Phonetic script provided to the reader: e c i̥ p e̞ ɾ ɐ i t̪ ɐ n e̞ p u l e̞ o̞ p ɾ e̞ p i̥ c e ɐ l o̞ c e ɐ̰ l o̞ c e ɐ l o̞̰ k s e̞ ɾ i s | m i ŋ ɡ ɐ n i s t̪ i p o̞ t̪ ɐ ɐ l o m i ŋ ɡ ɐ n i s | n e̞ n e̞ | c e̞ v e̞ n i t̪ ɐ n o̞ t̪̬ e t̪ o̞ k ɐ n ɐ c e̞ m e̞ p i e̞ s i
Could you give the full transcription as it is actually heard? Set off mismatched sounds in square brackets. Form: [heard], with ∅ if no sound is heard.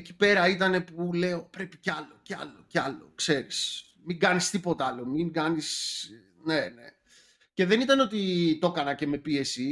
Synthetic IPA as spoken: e c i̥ p e̞ ɾ ɐ i t̪ ɐ n e̞ p u l e̞ o̞ p ɾ e̞ p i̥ c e ɐ l o̞ c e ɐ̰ l o̞ c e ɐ l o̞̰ k s e̞ ɾ i s | m i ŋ ɡ ɐ n i s t̪ i p o̞ t̪ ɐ ɐ l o m i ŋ ɡ ɐ n i s | n e̞ n e̞ | c e̞ [ð] e̞ n i t̪ ɐ n o̞ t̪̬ [i] t̪ o̞ k ɐ n ɐ c e̞ m e̞ p i e̞ s i